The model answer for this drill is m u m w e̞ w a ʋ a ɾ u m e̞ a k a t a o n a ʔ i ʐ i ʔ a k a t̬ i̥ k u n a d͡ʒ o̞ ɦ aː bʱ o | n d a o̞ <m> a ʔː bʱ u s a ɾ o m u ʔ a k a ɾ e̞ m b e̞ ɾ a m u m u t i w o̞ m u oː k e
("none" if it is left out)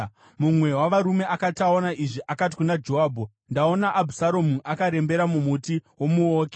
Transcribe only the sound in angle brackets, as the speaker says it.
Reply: n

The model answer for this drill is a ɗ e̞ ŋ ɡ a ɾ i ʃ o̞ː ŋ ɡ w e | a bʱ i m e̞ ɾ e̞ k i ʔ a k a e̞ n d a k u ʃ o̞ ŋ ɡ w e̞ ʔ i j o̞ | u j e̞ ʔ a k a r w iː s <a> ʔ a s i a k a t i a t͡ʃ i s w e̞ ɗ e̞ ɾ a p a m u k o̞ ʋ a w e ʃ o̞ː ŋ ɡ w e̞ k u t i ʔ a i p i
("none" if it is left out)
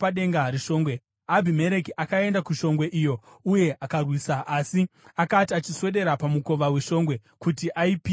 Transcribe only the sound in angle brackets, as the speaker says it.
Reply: a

